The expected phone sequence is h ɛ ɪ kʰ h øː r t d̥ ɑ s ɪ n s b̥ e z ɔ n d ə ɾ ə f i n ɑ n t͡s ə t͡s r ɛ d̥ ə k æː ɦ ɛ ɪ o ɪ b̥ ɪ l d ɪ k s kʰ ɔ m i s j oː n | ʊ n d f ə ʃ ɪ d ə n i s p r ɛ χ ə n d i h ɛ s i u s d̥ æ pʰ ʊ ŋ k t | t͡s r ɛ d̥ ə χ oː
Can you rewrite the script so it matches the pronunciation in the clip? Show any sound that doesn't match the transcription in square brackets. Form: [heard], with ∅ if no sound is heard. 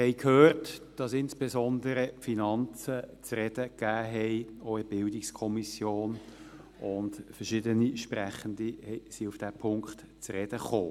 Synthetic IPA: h ɛ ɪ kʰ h øː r t d̥ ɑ s ɪ n s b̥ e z ɔ n d ə ɾ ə f i n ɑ n t͡s ə t͡s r ɛ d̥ ə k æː ɦ ɛ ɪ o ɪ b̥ ɪ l d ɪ k s kʰ ɔ m i s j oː n | ʊ n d f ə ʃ ɪ d ə n i [ʃ] p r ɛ χ ə n d i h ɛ s i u [f] d̥ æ pʰ ʊ ŋ k t | t͡s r ɛ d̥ ə χ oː

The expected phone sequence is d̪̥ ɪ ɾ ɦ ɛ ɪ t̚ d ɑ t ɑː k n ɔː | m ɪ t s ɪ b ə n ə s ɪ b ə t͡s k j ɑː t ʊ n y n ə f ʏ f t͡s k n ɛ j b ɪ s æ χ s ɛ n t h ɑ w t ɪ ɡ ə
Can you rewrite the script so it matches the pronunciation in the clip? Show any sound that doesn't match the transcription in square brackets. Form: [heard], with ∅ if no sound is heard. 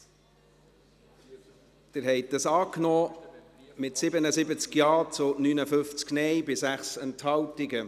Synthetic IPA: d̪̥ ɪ ɾ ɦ ɛ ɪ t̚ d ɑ [s] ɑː k n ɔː | m ɪ t s ɪ b ə n ə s ɪ b ə t͡s k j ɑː [t͡s] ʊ n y n ə f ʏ f t͡s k n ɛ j b ɪ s æ χ s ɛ n t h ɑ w t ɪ ɡ ə

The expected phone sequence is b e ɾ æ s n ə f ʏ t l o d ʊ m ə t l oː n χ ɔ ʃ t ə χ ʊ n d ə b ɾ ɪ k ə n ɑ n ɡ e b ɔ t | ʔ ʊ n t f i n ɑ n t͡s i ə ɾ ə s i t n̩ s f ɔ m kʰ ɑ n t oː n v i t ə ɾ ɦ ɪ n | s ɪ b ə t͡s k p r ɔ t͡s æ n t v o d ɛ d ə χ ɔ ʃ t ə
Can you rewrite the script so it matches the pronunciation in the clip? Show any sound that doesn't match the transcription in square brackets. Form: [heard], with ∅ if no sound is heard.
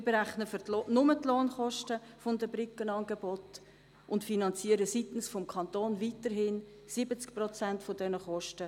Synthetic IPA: b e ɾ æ [χ] n ə f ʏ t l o [n] ʊ m ə t l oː n χ ɔ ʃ t ə [f] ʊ n d ə b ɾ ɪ k ə n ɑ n ɡ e b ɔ t | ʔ ʊ n t f i n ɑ n t͡s i ə ɾ ə s i t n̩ s f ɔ m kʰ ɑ n t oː n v i t ə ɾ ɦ ɪ n | s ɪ b ə t͡s k p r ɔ t͡s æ n t [f] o d ɛ [n] ə χ ɔ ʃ t ə

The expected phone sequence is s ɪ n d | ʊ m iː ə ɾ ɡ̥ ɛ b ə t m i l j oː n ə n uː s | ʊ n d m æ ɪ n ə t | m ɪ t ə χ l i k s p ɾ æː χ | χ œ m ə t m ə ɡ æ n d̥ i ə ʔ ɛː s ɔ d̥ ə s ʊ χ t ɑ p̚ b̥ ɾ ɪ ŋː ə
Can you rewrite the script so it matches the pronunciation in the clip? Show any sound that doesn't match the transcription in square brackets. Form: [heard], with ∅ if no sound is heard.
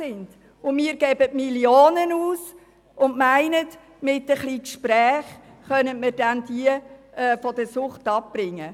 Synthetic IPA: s ɪ n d | ʊ m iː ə ɾ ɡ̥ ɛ b ə t m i l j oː n ə n uː s | ʊ n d m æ ɪ n ə t | m ɪ t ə χ l i k [ʃ] p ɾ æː χ | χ œ [n] ə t m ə [d] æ n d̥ i ə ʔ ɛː [f] ɔ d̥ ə s ʊ χ t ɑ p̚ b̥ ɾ ɪ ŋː ə

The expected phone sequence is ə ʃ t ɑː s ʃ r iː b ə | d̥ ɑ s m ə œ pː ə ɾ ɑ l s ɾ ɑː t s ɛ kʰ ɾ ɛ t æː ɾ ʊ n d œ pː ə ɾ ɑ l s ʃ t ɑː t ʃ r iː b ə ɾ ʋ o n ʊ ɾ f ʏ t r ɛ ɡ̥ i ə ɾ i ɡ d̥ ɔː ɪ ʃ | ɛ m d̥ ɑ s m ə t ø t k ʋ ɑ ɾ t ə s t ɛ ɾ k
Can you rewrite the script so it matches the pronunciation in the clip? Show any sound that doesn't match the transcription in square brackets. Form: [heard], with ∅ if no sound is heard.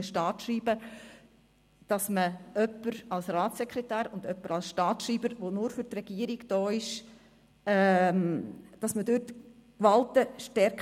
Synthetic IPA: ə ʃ t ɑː [t] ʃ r iː b ə | d̥ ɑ s m ə œ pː ə ɾ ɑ l s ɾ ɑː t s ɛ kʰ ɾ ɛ t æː ɾ ʊ n d œ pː ə ɾ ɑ l s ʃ t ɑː t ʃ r iː b ə ɾ ʋ o n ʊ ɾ f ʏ t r ɛ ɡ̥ i ə ɾ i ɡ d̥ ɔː ɪ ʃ | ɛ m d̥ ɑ s m ə [d] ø t k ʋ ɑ [l] t ə [ʃ] t ɛ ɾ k

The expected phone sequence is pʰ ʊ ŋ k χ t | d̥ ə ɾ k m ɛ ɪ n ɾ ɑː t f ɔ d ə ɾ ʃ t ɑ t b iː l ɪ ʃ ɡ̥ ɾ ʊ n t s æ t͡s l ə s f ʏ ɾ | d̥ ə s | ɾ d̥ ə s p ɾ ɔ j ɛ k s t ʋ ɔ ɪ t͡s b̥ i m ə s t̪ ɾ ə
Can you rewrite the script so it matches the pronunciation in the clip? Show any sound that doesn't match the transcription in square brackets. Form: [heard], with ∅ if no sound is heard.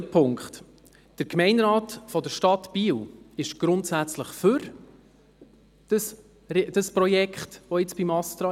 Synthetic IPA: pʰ ʊ ŋ k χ t | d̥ ə ɾ k m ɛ ɪ n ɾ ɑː t f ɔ d ə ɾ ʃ t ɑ t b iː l ɪ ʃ ɡ̥ ɾ ʊ n t s æ t͡s l ə [χ] f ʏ ɾ | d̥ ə s | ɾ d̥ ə s p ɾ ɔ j ɛ k [χ] t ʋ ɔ ɪ t͡s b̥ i m [ɑ] s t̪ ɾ [ɑ]

